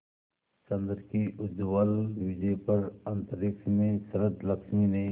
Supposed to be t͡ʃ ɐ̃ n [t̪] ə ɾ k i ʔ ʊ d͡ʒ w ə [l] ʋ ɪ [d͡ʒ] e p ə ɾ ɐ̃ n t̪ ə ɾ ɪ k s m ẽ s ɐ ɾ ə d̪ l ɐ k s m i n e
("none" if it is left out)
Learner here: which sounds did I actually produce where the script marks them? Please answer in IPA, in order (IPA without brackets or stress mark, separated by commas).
d̪, l, d͡ʒ